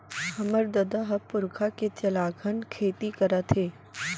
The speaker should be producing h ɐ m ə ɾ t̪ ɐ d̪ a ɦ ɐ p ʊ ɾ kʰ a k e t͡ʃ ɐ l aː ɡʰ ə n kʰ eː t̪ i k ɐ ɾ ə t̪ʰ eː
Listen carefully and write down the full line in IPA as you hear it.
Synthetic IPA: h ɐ m ə ɾ d̪ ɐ d̪ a ɦ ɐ p ʊ ɾ kʰ a k e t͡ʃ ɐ l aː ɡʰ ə n kʰ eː t̪ i k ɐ ɾ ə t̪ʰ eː